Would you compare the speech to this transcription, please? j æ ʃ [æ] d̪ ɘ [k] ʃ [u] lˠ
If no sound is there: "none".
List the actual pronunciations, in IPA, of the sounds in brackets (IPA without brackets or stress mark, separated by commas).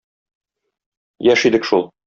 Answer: i, k, u